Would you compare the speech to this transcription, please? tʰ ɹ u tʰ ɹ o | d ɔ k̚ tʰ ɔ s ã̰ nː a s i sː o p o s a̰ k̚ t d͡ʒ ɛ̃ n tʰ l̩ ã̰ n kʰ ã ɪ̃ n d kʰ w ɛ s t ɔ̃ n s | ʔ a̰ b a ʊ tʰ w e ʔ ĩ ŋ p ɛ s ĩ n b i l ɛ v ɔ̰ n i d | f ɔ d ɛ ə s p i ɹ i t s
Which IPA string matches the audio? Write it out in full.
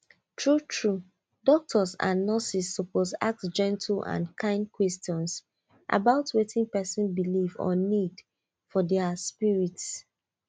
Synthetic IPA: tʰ ɹ u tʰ ɹ u | d ɔ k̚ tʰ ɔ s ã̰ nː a s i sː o p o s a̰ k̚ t d͡ʒ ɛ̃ n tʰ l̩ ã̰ n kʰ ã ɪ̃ n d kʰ w ɛ s t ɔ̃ n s | ʔ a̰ b a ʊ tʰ w e t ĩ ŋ p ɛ s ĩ n b i l i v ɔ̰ n i d | f ɔ d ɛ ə s p i ɹ i t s